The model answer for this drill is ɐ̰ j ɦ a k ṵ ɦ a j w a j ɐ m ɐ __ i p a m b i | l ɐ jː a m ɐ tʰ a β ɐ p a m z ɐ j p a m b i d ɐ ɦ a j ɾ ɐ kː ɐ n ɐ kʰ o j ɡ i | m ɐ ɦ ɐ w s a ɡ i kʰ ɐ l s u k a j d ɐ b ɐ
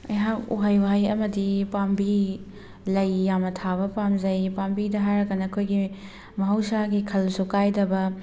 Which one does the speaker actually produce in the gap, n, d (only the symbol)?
d